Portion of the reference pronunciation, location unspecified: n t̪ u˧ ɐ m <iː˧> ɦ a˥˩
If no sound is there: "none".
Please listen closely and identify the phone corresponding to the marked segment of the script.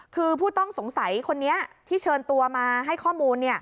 aː˧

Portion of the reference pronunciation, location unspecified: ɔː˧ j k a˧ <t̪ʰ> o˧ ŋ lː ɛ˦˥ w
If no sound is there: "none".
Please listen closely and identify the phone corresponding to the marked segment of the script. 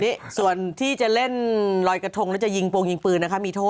t̪ʰ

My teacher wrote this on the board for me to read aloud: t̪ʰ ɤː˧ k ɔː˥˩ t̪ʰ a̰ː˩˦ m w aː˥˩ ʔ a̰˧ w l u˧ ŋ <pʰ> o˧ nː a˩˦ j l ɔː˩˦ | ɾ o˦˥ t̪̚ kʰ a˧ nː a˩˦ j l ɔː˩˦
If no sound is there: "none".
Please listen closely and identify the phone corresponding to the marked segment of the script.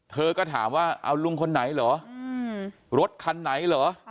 kʰ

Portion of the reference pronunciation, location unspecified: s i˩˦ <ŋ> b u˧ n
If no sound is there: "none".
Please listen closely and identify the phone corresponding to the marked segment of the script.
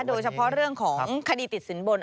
n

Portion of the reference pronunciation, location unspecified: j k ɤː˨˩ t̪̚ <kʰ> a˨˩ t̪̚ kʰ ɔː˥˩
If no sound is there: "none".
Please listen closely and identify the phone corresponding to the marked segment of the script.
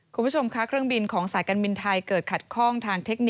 kʰ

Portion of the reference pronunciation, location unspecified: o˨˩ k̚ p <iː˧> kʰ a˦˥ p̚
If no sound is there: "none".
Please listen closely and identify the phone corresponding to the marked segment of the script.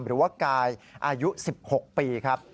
iː˧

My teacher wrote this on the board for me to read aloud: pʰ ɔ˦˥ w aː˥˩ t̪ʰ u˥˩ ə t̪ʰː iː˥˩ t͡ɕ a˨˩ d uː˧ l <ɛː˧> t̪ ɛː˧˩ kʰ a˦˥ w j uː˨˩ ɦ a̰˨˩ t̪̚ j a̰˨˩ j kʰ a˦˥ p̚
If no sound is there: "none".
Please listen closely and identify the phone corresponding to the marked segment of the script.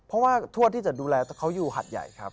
ɛː˧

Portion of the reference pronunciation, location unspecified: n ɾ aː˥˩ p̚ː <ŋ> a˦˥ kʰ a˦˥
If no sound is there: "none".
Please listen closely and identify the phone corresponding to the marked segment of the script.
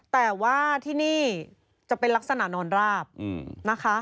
n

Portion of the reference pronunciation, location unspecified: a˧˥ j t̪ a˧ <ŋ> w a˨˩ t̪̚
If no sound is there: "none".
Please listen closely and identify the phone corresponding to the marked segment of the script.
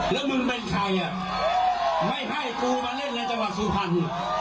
ŋ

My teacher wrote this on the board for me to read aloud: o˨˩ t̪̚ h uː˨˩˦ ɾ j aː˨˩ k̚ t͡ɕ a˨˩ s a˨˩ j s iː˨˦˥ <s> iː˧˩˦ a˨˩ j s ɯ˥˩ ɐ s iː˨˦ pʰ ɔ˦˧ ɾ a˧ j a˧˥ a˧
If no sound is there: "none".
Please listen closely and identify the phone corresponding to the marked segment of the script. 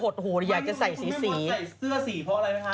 s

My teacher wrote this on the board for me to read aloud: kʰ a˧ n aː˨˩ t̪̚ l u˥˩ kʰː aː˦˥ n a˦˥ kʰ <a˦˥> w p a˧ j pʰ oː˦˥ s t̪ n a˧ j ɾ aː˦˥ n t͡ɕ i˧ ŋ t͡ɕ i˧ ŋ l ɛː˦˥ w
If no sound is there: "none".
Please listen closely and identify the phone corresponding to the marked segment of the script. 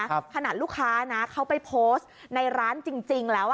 a˦˥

